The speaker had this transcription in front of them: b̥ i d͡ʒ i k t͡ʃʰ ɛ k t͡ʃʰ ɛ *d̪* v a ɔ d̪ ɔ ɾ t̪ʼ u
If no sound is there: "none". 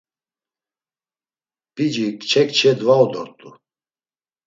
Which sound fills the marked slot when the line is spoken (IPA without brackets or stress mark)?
d̪